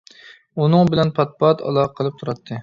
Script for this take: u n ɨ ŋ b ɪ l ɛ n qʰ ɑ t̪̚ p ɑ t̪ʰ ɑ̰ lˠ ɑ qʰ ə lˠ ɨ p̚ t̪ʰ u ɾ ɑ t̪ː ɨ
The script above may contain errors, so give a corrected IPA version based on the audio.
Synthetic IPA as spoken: u n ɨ ŋ b ɪ l ɛ n pʰ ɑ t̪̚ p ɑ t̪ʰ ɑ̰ lˠ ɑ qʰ ə lˠ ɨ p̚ t̪ʰ u ɾ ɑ t̪ʰː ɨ